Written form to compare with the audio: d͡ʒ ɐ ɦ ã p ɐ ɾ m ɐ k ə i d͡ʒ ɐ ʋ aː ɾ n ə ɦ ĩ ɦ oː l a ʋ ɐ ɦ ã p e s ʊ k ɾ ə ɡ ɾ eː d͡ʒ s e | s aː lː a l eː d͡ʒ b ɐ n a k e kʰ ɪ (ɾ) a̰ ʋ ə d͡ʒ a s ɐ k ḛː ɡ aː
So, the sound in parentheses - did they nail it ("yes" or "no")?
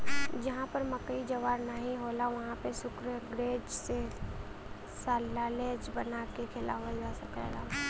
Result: no